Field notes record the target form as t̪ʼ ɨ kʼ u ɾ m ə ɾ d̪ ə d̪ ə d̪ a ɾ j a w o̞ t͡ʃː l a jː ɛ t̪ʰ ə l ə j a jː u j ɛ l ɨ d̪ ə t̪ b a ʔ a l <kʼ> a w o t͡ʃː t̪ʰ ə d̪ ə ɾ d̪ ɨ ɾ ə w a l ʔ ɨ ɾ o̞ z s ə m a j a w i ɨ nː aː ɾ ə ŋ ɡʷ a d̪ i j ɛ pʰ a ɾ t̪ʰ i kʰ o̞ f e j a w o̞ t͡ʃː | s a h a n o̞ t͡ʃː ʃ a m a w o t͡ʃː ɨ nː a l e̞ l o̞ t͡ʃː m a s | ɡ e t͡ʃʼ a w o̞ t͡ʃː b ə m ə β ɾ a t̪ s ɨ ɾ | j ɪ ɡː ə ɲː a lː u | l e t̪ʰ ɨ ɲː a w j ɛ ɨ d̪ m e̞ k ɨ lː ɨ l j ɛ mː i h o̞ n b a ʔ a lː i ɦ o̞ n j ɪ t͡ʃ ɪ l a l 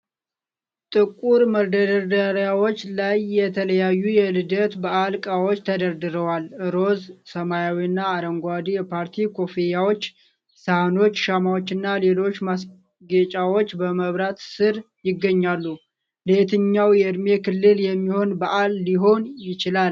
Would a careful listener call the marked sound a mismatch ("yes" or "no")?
no